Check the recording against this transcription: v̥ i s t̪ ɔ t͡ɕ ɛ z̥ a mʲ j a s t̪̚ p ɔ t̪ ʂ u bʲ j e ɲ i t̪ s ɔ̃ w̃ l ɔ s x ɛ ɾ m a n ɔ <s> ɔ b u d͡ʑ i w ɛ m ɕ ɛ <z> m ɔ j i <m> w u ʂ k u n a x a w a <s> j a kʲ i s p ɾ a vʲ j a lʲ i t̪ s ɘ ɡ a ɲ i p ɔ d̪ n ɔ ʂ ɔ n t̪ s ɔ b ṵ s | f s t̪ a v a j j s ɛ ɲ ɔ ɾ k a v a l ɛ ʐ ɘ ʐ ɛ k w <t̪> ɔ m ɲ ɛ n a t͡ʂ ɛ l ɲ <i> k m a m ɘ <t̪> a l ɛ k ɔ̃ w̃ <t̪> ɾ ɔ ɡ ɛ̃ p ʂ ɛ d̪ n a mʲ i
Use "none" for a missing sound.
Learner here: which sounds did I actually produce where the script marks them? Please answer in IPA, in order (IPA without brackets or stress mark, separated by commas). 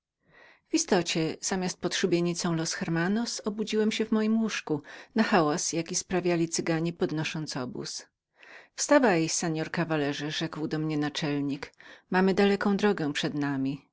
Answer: s, v, m, s, d̪, i, d̪, d̪